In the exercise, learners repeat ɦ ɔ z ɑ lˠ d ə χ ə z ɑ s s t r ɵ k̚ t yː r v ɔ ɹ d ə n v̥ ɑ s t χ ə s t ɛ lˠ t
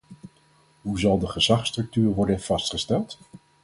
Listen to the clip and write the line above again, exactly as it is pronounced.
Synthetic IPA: ɦ u z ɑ lˠ d ə χ ə z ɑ χ s t r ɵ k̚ t yː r ʋ ɔ ɹ d ə n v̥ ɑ s t χ ə s t ɛ lˠ t